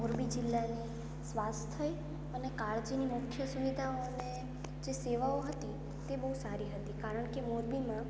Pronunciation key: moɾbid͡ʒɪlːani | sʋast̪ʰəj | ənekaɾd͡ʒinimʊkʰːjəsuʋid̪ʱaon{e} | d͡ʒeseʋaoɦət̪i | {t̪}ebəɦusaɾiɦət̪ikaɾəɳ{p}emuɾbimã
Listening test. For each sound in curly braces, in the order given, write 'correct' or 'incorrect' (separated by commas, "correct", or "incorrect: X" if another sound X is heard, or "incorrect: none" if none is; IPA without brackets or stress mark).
correct, correct, incorrect: k